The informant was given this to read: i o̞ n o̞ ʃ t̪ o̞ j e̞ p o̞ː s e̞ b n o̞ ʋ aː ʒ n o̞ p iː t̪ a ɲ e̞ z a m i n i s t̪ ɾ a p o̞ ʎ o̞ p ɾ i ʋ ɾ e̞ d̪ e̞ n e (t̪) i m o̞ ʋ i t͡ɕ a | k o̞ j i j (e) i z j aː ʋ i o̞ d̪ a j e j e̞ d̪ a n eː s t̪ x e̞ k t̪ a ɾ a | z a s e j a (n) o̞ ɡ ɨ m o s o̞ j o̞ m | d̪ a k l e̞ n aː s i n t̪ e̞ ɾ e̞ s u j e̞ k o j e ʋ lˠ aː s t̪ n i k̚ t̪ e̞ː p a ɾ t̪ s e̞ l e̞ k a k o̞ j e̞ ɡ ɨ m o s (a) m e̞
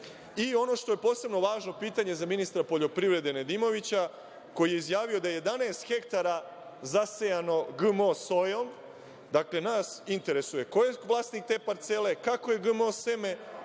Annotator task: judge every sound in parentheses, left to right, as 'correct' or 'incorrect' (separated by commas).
incorrect, correct, correct, incorrect